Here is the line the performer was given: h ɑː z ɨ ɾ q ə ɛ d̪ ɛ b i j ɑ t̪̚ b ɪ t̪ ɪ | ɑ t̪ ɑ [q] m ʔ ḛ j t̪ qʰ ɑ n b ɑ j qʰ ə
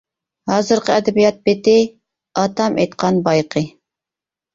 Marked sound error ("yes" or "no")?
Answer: yes